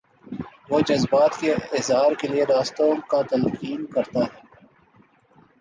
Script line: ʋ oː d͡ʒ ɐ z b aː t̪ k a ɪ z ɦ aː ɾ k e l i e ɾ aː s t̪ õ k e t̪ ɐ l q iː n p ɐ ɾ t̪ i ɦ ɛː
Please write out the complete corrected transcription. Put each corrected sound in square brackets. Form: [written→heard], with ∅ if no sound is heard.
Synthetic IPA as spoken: ʋ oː d͡ʒ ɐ z b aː t̪ k [a→e] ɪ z ɦ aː ɾ k e l i e ɾ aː s t̪ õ k [e→a] t̪ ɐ l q iː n [p→k] ɐ ɾ t̪ [i→a] ɦ ɛː